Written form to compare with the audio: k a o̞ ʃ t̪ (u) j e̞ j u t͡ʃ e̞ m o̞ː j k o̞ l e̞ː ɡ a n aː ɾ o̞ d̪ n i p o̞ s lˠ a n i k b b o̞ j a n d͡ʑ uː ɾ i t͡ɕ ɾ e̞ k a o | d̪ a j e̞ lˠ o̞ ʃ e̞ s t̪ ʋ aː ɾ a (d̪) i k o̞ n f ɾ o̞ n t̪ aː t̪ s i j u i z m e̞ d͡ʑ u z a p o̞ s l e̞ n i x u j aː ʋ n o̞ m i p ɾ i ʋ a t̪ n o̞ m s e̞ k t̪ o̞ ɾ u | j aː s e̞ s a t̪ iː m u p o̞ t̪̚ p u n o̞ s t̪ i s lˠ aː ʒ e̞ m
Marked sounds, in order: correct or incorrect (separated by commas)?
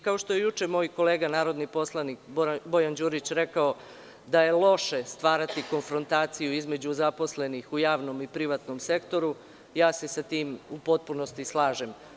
incorrect, incorrect